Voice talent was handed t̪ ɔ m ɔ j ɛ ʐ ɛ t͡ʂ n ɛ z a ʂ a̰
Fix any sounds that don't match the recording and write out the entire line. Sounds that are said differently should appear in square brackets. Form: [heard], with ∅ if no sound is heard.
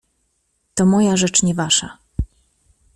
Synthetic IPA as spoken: t̪ ɔ m ɔ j [a] ʐ ɛ t͡ʂ [ɲ] ɛ [v] a ʂ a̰